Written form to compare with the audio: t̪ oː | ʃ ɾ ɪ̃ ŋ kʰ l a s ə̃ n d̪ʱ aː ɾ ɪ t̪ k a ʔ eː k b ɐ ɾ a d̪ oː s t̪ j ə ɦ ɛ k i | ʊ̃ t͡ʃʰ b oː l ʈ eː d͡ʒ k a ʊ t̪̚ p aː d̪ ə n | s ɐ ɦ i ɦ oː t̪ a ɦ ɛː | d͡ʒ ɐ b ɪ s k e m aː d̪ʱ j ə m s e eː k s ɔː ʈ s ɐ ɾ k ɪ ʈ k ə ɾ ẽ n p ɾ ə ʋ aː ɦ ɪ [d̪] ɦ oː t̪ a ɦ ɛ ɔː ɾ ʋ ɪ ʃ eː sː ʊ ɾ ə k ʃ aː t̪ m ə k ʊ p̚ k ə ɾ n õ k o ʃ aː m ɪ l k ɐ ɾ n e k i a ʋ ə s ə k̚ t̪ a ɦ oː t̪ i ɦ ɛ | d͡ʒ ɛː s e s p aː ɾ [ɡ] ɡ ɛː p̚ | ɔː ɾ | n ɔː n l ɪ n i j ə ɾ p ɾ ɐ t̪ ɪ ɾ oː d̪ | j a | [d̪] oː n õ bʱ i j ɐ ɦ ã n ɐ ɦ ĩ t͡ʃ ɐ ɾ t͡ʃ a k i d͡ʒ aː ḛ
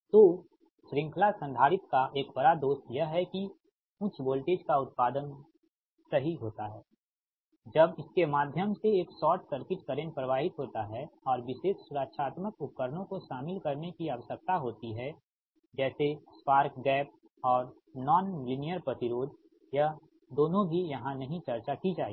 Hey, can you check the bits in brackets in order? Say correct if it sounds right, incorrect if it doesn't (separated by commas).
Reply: incorrect, incorrect, correct